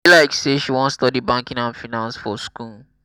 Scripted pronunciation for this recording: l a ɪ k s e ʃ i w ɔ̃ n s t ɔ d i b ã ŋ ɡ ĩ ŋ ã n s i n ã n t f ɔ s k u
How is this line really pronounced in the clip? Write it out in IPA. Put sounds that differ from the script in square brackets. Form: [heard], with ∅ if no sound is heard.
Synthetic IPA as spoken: l a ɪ k s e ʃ i w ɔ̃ n s t ɔ d i b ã ŋ [k] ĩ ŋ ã n [f] i n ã n [s] f ɔ s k u